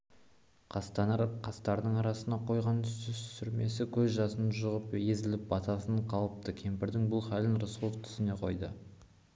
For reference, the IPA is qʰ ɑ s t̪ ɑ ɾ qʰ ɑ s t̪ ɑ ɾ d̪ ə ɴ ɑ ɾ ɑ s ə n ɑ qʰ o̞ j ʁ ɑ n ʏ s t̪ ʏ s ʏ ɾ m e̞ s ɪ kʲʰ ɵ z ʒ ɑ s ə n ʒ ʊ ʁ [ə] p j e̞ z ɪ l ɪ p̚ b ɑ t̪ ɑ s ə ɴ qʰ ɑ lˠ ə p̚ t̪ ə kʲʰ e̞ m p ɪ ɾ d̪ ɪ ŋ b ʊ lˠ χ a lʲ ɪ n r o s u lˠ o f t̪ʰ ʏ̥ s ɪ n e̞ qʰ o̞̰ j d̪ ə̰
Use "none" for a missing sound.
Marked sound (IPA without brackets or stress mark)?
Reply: ə